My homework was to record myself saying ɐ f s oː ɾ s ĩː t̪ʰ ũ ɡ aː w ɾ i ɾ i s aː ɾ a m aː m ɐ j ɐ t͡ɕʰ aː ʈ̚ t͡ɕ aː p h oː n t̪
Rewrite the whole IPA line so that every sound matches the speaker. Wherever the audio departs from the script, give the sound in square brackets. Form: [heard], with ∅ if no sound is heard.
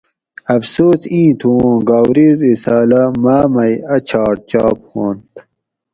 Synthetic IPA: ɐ f s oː [∅] s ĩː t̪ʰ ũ ɡ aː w ɾ i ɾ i s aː [l] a m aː m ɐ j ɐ t͡ɕʰ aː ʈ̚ t͡ɕ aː p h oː n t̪